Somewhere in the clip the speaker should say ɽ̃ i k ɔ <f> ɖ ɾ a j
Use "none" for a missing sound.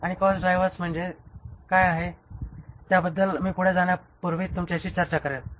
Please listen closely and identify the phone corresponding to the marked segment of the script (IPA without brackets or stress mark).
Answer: s